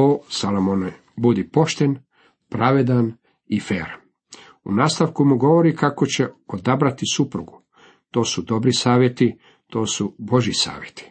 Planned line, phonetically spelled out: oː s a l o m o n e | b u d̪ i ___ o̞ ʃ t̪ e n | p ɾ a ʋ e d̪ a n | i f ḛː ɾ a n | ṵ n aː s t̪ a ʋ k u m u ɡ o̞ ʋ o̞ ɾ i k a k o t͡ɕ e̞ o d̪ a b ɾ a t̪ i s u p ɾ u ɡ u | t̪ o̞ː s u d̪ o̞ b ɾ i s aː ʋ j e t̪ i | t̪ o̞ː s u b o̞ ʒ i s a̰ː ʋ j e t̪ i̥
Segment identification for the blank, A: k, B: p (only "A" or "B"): B